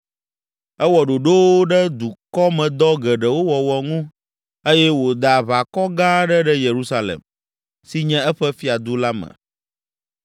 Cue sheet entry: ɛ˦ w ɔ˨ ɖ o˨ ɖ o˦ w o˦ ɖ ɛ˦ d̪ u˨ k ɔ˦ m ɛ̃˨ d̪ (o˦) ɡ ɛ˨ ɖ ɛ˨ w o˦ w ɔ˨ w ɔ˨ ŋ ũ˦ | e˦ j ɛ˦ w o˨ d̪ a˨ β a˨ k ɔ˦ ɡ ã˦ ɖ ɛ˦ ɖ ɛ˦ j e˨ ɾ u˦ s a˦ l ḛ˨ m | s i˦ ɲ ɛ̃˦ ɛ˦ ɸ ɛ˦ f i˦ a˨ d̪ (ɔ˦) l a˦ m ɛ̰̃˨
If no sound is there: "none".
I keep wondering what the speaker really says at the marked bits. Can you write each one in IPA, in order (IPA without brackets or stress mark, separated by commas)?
ɔ˦, u˦